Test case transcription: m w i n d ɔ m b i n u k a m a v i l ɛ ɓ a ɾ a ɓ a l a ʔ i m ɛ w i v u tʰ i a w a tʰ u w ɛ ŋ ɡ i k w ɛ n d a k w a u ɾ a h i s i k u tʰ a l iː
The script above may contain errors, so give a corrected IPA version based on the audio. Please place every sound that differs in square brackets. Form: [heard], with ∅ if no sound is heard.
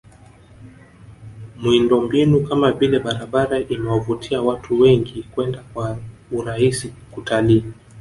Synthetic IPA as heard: m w i n d ɔ m b i n u k a m a v i l ɛ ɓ a ɾ a ɓ a [ɾ] a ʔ i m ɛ w [a] v u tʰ i a w a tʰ u w ɛ ŋ ɡ i k w ɛ n d a k w a u ɾ a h i s i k u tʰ a l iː